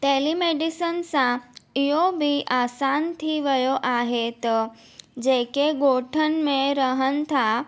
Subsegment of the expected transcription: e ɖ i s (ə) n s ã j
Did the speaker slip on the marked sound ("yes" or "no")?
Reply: no